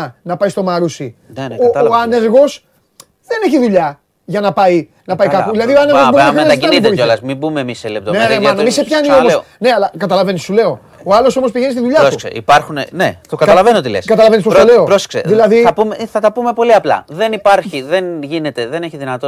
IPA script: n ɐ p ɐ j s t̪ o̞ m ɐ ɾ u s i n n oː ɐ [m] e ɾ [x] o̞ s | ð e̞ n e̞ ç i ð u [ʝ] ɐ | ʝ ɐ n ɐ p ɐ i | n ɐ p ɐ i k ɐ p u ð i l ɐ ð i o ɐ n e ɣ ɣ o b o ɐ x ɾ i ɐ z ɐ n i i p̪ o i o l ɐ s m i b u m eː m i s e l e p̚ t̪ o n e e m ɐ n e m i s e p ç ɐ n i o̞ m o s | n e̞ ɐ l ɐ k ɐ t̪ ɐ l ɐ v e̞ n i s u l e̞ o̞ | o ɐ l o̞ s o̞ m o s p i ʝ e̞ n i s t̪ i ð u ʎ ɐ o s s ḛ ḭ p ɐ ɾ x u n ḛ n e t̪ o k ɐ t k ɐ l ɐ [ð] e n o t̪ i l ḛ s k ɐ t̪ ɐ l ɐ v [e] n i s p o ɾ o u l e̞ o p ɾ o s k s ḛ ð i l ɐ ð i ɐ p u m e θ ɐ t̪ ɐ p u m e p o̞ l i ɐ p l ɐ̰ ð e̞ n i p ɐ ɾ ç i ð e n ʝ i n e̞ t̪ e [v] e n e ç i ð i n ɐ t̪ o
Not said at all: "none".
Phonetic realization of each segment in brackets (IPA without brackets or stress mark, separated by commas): n, ɣ, ʎ, v, e, ð